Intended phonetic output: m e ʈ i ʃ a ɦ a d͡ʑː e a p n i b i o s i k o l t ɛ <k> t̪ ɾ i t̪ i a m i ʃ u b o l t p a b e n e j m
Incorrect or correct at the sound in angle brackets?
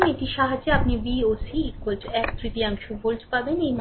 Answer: correct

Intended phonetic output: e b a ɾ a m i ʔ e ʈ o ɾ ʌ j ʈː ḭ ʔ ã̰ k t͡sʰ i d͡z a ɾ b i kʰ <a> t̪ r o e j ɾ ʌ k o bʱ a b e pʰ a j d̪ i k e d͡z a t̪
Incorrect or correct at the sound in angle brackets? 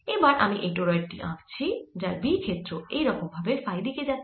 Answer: incorrect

